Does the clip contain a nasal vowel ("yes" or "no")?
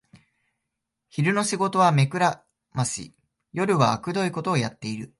no